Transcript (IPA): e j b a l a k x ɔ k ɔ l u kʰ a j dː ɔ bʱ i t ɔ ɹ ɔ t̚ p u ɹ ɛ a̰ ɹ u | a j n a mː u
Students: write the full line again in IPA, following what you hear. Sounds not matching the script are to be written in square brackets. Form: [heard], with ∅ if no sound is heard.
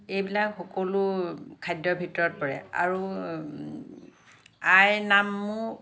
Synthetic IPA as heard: e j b [i] l a k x ɔ k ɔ l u kʰ a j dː ɔ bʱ i t ɔ ɹ ɔ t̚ p [ɔ] ɹ ɛ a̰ ɹ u | a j n a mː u